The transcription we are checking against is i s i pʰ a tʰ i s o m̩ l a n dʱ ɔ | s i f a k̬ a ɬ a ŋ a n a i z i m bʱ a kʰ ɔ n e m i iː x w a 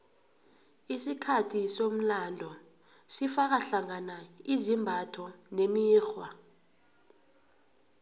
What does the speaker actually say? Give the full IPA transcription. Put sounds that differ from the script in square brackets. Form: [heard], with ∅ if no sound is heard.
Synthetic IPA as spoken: i s i [kʰ] a tʰ i s o m̩ l a n dʱ ɔ | s i f a k̬ a ɬ a ŋ a n a i z i m bʱ a [tʰ] ɔ n e m i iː x w a

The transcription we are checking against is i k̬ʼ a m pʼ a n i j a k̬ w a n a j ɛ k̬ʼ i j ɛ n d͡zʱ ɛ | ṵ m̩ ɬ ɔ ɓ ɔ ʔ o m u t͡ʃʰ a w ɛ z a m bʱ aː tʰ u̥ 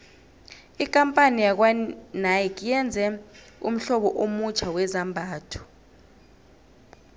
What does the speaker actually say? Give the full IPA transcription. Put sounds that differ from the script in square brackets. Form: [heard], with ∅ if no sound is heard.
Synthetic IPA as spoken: i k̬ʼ a m pʼ a n i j a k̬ w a n a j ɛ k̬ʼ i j ɛ n d͡zʱ ɛ | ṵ m̩ ɬ ɔ ɓ ɔ ʔ o m u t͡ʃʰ a w ɛ z a m bʱ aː tʰ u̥

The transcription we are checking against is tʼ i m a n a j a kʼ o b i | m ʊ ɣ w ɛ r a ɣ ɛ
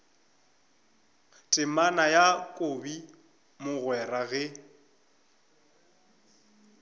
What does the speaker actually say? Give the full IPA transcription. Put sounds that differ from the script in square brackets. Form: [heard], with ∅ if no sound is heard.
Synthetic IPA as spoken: tʼ [ɪ] m a n a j a kʼ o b i | m ʊ ɣ w ɛ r a ɣ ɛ

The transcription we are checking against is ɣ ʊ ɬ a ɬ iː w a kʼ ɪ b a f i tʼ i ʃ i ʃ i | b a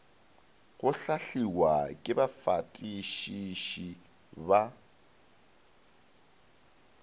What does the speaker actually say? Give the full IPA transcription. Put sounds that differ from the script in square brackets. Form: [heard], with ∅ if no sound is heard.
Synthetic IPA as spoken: ɣ ʊ ɬ a ɬ [i] w a kʼ ɪ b a f [a] tʼ i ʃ i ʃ i | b a

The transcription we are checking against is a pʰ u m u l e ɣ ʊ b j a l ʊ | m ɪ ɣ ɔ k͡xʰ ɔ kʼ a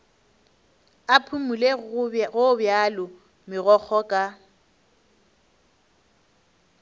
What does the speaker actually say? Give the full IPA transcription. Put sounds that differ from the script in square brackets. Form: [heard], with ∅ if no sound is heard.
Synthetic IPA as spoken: a pʰ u m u l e ɣ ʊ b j a l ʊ | m ɪ ɣ ɔ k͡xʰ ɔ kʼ a

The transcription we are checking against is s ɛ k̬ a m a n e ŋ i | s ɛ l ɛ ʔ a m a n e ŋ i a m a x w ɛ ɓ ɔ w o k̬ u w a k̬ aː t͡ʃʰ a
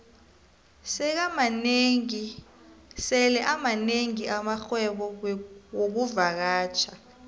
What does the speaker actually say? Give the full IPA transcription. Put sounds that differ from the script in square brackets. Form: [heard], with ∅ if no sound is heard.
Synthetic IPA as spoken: s ɛ k̬ a m a n e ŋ i | s ɛ l ɛ ʔ a m a n e ŋ i a m a x w ɛ ɓ ɔ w o k̬ u [v] a k̬ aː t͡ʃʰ a

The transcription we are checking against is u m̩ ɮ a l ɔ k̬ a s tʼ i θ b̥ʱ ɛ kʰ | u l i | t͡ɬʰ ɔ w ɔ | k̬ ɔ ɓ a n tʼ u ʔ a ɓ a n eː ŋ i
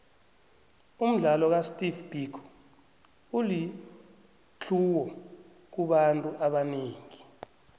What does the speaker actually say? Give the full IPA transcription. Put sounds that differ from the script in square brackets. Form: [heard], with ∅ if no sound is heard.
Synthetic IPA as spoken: u m̩ ɮ a l ɔ k̬ a s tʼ i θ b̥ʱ [i] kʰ | u l i | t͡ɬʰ [u] w ɔ | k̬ [u] ɓ a n tʼ u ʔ a ɓ a n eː ŋ i

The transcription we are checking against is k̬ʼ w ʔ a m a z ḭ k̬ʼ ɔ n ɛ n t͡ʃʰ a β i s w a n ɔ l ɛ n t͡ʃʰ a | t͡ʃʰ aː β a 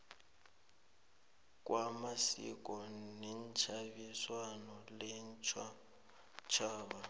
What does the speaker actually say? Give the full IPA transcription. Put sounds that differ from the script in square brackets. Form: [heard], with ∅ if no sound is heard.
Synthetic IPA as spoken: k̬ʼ w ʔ a m a [s] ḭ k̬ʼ ɔ n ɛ n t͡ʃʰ a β i s w a n ɔ l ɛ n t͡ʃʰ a | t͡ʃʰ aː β a

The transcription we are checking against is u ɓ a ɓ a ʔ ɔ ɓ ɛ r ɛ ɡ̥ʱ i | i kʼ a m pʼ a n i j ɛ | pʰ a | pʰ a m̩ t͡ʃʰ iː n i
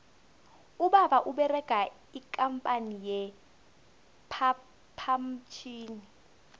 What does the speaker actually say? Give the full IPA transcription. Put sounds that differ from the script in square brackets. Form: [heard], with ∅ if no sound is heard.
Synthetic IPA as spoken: u ɓ a ɓ a ʔ [u] ɓ ɛ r ɛ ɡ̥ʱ [a] | i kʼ a m pʼ a n i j ɛ | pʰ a | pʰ a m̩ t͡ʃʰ iː n i

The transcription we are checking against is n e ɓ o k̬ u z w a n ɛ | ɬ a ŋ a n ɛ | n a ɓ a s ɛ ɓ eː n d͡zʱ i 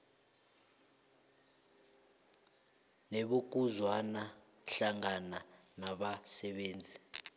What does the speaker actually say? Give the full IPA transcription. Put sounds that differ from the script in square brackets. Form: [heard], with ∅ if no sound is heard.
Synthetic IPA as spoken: n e ɓ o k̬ u z w a n [a] | ɬ a ŋ a n [a] | n a ɓ a s ɛ ɓ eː n d͡zʱ i

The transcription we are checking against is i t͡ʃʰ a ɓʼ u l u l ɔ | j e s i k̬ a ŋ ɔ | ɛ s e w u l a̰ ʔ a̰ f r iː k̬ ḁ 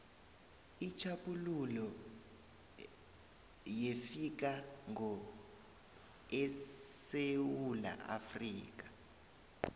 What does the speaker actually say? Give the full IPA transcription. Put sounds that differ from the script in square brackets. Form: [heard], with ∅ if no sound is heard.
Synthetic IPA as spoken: i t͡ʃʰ a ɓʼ u l u l ɔ | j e [f] i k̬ a ŋ ɔ | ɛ s e w u l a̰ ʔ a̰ f r iː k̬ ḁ

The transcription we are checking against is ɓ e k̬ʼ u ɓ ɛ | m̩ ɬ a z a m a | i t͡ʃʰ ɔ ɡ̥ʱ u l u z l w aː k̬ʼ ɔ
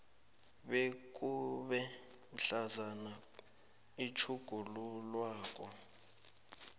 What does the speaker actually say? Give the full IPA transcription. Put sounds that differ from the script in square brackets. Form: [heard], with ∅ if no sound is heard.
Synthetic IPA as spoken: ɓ e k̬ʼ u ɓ ɛ | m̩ ɬ a z a [n] a | i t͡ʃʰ [u] ɡ̥ʱ u l u [∅] l w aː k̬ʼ ɔ

